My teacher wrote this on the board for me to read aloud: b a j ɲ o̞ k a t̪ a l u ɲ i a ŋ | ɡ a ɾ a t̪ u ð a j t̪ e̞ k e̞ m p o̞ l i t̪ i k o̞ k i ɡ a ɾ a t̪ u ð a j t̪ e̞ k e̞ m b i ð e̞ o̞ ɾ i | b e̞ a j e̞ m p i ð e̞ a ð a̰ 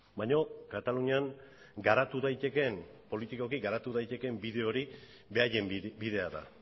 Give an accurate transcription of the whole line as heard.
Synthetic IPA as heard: b a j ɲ o̞ k a t̪ a l u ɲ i a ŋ | ɡ a ɾ a t̪ u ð a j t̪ e̞ k e̞ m p o̞ l i t̪ i k o̞ k i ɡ a ɾ a t̪ u ð a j t̪ e̞ k e̞ m b i ð e̞ o̞ ɾ i | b e̞ a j e̞ m b i ð e̞ a ð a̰